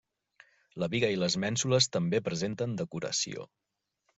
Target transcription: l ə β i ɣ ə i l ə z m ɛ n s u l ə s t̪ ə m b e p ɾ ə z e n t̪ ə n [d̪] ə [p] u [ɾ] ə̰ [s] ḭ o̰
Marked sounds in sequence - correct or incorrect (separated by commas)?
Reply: correct, incorrect, correct, correct